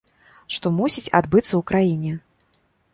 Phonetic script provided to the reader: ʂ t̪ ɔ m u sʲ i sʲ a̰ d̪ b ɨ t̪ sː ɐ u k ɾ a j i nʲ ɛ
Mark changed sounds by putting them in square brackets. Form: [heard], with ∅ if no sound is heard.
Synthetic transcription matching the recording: ʂ t̪ ɔ m u sʲ i [t͡sʲ] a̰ d̪ b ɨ t̪ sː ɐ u k ɾ a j i nʲ ɛ